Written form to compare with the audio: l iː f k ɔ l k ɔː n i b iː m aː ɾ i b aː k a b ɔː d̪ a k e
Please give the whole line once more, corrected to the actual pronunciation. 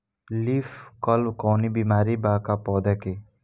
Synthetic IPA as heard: l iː f k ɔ l k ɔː n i b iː m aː ɾ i b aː k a p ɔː d̪ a k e